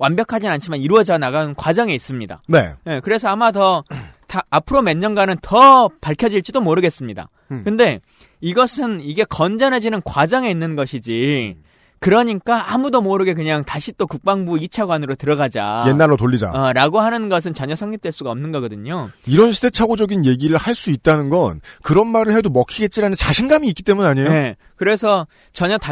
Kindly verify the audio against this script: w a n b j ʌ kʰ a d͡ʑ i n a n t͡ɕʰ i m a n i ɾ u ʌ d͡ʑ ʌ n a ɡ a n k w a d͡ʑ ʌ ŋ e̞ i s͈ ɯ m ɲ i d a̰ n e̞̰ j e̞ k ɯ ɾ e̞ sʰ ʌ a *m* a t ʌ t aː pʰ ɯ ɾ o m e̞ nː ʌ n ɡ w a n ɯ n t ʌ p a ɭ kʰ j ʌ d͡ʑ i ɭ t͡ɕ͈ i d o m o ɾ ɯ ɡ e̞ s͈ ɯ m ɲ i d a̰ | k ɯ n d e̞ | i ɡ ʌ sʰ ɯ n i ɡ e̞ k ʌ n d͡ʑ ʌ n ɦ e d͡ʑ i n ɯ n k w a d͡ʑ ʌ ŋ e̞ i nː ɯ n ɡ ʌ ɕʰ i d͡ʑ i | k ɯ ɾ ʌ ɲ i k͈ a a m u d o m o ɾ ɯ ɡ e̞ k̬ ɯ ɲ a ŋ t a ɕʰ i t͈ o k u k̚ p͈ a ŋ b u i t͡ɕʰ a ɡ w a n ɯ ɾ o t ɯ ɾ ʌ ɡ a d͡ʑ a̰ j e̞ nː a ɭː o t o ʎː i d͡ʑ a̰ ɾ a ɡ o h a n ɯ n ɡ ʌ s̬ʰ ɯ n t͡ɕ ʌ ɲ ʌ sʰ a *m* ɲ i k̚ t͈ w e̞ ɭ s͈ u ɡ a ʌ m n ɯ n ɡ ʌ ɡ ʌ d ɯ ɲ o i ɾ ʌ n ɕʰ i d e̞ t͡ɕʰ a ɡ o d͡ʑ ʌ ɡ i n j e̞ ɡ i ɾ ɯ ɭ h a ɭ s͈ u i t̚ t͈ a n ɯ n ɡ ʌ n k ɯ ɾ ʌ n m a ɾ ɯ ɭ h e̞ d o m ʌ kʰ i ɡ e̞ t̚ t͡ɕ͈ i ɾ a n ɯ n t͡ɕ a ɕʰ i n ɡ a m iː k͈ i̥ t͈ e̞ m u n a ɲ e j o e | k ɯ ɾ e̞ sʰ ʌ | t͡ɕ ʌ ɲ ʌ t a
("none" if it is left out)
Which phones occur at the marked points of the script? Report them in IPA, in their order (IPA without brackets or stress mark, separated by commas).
m, ŋ